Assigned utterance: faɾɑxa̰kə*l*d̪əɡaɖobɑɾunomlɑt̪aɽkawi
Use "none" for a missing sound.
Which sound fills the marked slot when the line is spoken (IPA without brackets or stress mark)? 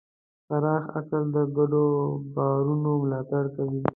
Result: l